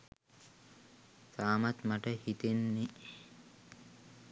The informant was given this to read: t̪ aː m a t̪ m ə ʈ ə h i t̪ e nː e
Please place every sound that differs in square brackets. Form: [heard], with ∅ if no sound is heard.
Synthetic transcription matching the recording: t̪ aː m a t̪ m [a] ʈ ə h i t̪ e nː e